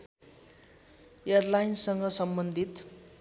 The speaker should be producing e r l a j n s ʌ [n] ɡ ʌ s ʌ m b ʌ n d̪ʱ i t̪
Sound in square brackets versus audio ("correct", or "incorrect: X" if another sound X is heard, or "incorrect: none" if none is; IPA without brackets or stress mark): incorrect: ŋ